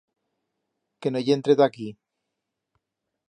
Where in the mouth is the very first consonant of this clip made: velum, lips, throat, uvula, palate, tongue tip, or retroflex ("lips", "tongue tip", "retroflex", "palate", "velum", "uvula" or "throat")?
velum